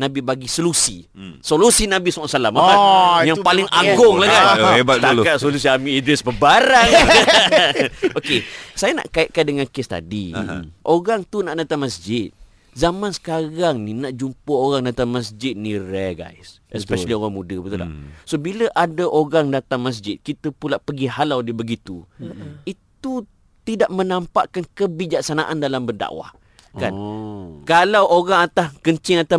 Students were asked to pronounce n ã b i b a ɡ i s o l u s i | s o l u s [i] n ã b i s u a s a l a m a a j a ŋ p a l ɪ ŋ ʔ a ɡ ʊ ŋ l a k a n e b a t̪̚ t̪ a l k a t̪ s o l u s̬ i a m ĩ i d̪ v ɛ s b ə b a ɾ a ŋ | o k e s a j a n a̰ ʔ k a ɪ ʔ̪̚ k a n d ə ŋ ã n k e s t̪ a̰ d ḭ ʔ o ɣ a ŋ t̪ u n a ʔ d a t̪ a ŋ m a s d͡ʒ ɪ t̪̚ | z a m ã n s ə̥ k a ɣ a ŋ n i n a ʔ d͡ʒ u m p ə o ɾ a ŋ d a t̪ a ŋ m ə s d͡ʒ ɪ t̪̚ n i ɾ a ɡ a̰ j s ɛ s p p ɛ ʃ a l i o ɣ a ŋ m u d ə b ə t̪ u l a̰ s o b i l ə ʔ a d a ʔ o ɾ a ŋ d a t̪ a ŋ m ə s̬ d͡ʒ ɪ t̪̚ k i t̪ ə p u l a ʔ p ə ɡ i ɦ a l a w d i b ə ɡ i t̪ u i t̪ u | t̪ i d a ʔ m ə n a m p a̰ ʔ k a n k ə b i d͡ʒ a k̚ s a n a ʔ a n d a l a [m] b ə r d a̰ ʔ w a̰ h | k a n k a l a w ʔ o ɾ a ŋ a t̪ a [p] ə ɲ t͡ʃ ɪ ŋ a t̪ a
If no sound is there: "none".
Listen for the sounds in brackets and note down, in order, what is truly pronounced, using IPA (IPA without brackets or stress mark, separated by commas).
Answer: i, m, k